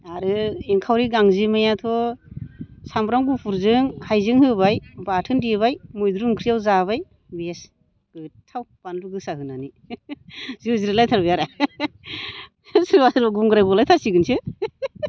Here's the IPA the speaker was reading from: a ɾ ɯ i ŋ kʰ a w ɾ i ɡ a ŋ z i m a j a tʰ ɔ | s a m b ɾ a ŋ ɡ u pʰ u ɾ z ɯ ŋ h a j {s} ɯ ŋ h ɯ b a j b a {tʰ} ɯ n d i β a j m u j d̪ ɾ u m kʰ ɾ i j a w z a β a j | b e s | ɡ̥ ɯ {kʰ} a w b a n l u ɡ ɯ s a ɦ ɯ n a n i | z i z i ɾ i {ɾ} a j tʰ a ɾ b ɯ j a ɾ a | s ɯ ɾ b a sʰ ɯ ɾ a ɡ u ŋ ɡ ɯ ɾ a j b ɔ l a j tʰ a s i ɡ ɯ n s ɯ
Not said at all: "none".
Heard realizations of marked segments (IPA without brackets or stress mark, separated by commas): z, tʰ, tʰ, l